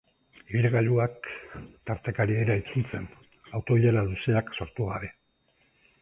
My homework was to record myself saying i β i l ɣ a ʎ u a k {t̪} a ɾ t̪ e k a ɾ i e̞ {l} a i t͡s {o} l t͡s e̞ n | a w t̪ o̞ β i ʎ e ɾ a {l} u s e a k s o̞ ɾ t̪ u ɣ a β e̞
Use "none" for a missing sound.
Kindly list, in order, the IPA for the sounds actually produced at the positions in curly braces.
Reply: t̪, ɾ, u, l

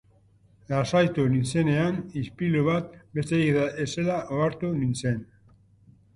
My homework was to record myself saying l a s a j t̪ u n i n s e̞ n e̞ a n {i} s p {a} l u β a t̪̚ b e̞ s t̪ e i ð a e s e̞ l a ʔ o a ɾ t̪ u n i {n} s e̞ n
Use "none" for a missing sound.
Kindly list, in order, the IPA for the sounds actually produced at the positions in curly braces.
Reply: i, i, n

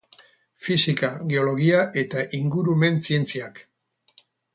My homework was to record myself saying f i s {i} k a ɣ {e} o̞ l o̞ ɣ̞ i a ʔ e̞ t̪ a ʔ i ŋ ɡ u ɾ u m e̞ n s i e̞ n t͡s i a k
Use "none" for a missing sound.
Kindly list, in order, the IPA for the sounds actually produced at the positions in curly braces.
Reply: i, e

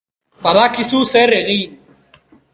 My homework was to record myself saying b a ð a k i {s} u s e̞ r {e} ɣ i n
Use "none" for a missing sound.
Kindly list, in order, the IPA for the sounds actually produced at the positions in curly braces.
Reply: s, e

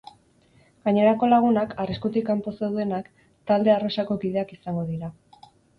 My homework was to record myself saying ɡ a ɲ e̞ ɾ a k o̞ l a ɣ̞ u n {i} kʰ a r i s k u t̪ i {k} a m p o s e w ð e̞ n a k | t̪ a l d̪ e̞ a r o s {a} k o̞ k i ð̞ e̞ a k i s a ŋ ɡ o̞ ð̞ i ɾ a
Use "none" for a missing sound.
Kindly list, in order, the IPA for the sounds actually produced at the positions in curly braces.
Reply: a, k, a

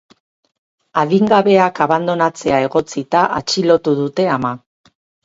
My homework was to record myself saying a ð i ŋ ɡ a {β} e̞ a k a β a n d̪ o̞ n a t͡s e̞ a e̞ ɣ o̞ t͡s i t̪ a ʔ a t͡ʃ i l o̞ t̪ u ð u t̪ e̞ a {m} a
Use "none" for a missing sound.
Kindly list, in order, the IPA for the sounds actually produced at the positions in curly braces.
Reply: β, m

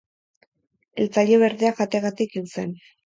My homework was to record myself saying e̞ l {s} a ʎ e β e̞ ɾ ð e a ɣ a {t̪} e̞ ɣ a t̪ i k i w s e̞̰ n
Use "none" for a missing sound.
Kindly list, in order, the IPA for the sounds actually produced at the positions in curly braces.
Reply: t͡s, t̪

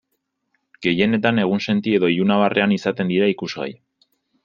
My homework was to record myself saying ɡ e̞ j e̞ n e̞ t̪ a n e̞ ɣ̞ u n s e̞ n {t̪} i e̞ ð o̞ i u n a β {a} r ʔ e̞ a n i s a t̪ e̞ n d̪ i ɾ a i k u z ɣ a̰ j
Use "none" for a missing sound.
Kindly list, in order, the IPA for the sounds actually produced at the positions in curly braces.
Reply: t̪, a

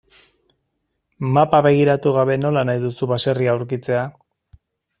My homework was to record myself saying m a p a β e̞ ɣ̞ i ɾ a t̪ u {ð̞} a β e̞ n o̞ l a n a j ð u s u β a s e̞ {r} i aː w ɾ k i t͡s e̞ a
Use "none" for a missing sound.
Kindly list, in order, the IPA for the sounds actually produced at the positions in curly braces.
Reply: ɣ̞, r

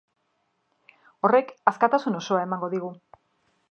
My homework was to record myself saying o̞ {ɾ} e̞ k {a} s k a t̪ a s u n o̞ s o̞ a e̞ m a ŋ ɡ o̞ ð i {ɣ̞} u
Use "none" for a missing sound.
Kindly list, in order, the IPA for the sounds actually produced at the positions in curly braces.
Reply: r, a, ɣ̞

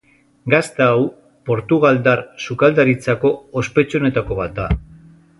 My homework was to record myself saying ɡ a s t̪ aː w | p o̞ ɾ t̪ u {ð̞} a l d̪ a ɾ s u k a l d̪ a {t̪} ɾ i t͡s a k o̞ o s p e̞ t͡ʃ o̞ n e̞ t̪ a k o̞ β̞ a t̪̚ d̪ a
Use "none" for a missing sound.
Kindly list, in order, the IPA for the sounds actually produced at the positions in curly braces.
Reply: ɣ̞, none

